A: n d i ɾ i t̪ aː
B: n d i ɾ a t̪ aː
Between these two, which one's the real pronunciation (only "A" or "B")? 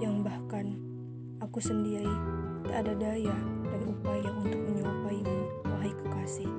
A